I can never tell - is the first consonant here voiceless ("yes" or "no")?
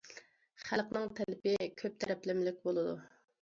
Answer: yes